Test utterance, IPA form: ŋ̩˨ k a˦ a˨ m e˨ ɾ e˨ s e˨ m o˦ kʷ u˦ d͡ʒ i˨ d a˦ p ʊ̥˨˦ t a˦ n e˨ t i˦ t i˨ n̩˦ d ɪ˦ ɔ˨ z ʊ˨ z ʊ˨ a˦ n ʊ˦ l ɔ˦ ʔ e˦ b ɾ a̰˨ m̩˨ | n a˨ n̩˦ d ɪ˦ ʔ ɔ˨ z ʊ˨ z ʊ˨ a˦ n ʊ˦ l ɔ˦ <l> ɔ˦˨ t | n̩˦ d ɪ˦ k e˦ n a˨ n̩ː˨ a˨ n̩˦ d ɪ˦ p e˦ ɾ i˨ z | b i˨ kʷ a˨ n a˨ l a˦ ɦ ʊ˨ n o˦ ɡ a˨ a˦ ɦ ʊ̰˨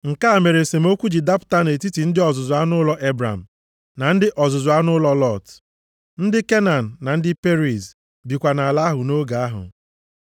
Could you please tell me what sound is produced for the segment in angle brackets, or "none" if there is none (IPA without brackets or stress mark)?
l